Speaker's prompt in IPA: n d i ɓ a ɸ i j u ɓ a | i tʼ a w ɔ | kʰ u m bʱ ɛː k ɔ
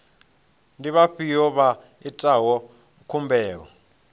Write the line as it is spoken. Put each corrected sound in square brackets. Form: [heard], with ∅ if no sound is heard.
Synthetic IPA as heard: n d i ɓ a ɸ i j [ɔ] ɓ a | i tʼ a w ɔ | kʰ u m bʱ ɛː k ɔ